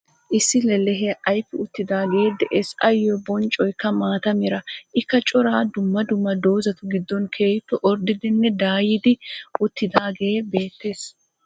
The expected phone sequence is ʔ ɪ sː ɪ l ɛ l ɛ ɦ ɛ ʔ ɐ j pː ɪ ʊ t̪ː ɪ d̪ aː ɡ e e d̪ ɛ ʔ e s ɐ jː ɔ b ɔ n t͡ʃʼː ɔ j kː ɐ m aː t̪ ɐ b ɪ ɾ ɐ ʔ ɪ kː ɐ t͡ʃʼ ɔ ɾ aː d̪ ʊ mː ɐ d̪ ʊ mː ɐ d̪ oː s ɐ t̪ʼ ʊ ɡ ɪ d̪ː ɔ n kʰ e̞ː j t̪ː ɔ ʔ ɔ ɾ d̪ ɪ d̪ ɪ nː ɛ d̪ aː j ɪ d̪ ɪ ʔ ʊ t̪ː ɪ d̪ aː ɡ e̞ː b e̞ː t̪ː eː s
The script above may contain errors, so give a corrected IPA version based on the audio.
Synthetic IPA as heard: ʔ ɪ sː ɪ l ɛ l ɛ ɦ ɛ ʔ ɐ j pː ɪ ʊ t̪ː ɪ d̪ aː ɡ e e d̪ ɛ ʔ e s ɐ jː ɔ b ɔ n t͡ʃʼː ɔ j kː ɐ m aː t̪ ɐ m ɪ ɾ ɐ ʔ ɪ kː ɐ t͡ʃʼ ɔ ɾ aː d̪ ʊ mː ɐ d̪ ʊ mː ɐ d̪ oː z ɐ t̪ ʊ ɡ ɪ d̪ː ɔ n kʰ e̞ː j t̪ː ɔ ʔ ɔ ɾ d̪ ɪ d̪ ɪ nː ɛ d̪ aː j ɪ d̪ ɪ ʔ ʊ t̪ː ɪ d̪ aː ɡ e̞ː b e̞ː t̪ː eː s

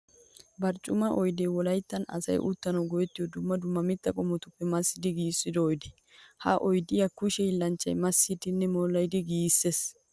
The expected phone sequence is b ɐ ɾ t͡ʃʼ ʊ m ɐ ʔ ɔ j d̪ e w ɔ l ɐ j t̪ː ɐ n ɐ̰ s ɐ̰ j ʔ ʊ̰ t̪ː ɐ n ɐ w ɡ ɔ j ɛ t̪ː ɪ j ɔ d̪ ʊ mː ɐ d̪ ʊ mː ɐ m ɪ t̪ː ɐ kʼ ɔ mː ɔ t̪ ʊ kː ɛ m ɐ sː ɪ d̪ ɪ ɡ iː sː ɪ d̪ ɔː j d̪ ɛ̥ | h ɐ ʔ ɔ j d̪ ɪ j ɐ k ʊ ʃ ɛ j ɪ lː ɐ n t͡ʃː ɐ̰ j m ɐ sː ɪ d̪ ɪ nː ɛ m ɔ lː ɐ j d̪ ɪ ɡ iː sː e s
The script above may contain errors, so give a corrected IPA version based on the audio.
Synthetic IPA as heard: b ɐ ɾ t͡ʃʼ ʊ m ɐ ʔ ɔ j d̪ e w ɔ l ɐ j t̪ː ɐ n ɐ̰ s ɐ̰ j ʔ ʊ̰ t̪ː ɐ n ɐ w ɡ ɔ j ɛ t̪ː ɪ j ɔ d̪ ʊ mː ɐ d̪ ʊ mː ɐ m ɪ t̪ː ɐ kʼ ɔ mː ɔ t̪ ʊ pː ɛ m ɐ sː ɪ d̪ ɪ ɡ iː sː ɪ d̪ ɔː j d̪ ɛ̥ | h ɐ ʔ ɔ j d̪ ɪ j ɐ k ʊ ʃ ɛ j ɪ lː ɐ n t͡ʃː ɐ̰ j m ɐ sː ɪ d̪ ɪ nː ɛ m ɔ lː ɐ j d̪ ɪ ɡ iː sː e s

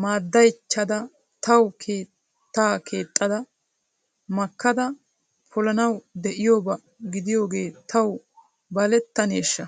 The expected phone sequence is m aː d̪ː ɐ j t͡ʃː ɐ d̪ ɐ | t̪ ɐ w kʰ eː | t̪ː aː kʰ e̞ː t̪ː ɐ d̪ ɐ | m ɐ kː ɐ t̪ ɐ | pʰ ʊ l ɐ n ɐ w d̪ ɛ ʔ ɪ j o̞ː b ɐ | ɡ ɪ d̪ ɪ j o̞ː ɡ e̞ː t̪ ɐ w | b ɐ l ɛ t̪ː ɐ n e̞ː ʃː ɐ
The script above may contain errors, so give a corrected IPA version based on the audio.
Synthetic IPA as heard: m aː d̪ː ɐ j t͡ʃː ɐ d̪ ɐ | t̪ ɐ w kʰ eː | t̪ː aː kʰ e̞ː t̪ʼː ɐ d̪ ɐ | m ɐ kː ɐ d̪ ɐ | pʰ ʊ l ɐ n ɐ w d̪ ɛ ʔ ɪ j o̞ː b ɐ | ɡ ɪ d̪ ɪ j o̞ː ɡ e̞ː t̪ ɐ w | b ɐ l ɛ t̪ː ɐ n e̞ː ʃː ɐ

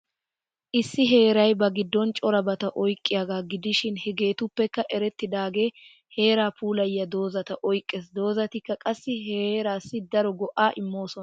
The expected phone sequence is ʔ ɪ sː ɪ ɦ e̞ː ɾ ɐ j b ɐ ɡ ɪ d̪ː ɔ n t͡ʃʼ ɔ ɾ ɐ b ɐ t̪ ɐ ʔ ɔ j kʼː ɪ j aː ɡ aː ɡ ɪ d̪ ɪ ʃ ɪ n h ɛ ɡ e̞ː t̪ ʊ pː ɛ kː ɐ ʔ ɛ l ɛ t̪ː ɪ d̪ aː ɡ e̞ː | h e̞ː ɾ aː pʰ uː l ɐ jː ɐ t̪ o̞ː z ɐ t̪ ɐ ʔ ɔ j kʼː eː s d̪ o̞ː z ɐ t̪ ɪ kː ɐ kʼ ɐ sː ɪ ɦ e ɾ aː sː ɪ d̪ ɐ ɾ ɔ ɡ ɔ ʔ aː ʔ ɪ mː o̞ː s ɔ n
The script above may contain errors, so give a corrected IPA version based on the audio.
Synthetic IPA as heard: ʔ ɪ sː ɪ ɦ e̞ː ɾ ɐ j b ɐ ɡ ɪ d̪ː ɔ n t͡ʃʼ ɔ ɾ ɐ b ɐ t̪ ɐ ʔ ɔ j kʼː ɪ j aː ɡ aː ɡ ɪ d̪ ɪ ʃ ɪ n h ɛ ɡ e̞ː t̪ ʊ pː ɛ kː ɐ ʔ ɛ ɾ ɛ t̪ː ɪ d̪ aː ɡ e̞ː | h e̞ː ɾ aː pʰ uː l ɐ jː ɐ d̪ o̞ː z ɐ t̪ ɐ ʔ ɔ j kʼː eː s d̪ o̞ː z ɐ t̪ ɪ kː ɐ kʼ ɐ sː ɪ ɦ e ɾ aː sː ɪ d̪ ɐ ɾ ɔ ɡ ɔ ʔ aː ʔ ɪ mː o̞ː s ɔ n

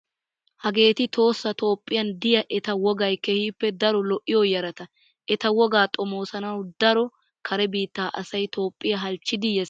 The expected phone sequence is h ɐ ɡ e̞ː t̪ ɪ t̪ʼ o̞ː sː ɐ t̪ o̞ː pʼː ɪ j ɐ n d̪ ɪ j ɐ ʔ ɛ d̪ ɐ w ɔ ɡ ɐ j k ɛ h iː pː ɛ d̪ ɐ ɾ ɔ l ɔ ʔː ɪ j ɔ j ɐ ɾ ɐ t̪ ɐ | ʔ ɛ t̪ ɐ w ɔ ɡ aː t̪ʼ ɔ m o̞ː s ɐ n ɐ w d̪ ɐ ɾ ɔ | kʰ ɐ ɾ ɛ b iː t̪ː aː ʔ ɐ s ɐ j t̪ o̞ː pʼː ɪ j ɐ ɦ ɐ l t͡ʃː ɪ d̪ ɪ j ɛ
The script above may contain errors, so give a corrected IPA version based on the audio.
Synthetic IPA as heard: h ɐ ɡ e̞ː t̪ ɪ t̪ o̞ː sː ɐ t̪ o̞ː pʼː ɪ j ɐ n d̪ ɪ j ɐ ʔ ɛ t̪ ɐ w ɔ ɡ ɐ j k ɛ h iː pː ɛ d̪ ɐ ɾ ɔ l ɔ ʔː ɪ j ɔ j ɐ ɾ ɐ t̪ ɐ | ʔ ɛ t̪ ɐ w ɔ ɡ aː t̪ʼ ɔ m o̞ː s ɐ n ɐ w d̪ ɐ ɾ ɔ | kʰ ɐ ɾ ɛ b iː t̪ː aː ʔ ɐ s ɐ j t̪ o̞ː pʼː ɪ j ɐ ɦ ɐ l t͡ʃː ɪ d̪ ɪ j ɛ

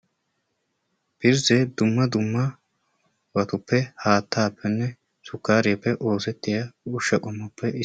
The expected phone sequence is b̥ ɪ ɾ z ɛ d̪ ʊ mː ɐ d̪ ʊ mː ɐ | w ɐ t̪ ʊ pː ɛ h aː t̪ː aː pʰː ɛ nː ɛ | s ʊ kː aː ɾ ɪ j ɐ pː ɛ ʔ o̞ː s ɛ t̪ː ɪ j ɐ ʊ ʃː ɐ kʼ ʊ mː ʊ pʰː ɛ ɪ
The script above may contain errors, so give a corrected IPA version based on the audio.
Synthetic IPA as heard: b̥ ɪ ɾ z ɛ d̪ ʊ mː ɐ d̪ ʊ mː ɐ | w ɐ t̪ ʊ pː ɛ h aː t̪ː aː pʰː ɛ nː ɛ | s ʊ kː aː ɾ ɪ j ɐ pː ɛ ʔ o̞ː s ɛ t̪ː ɪ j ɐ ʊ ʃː ɐ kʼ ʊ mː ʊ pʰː ɛ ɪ

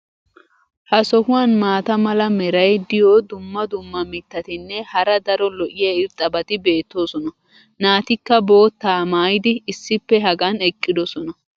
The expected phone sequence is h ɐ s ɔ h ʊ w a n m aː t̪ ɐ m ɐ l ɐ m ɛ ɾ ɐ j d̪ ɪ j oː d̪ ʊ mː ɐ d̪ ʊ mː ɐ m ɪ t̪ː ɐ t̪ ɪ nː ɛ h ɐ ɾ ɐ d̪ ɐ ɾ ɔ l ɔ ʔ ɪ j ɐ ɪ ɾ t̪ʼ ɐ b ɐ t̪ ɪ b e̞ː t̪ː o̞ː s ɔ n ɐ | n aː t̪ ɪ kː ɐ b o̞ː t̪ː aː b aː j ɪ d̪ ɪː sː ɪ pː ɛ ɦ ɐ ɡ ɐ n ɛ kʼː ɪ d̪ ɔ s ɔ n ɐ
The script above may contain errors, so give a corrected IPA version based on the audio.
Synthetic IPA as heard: h ɐ s ɔ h ʊ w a n m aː t̪ ɐ m ɐ l ɐ m ɛ ɾ ɐ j d̪ ɪ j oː d̪ ʊ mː ɐ d̪ ʊ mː ɐ m ɪ t̪ː ɐ t̪ ɪ nː ɛ h ɐ ɾ ɐ d̪ ɐ ɾ ɔ l ɔ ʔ ɪ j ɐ ɪ ɾ t̪ʼ ɐ b ɐ t̪ ɪ b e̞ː t̪ː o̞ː s ɔ n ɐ | n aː t̪ ɪ kː ɐ b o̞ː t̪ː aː m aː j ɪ d̪ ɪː sː ɪ pː ɛ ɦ ɐ ɡ ɐ n ɛ kʼː ɪ d̪ ɔ s ɔ n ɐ

